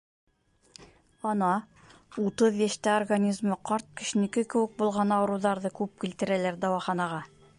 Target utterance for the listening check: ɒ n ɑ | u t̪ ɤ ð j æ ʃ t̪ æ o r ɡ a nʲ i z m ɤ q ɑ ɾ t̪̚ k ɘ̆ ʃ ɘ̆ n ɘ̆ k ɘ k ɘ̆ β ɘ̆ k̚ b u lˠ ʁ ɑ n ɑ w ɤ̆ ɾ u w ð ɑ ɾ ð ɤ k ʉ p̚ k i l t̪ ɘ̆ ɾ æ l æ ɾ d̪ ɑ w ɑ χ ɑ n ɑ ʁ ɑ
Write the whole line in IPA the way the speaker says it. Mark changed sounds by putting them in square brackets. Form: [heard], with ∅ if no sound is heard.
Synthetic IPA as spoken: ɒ n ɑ | u t̪ ɤ ð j æ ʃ t̪ æ o r ɡ a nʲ i z m ɤ q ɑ ɾ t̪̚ k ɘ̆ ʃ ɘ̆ n ɘ̆ k ɘ k ɘ̆ [w] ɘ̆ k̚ b u lˠ ʁ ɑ n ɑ w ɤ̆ ɾ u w ð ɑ ɾ ð ɤ k ʉ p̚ k i l t̪ ɘ̆ ɾ æ l æ ɾ d̪ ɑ w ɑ χ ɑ n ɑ ʁ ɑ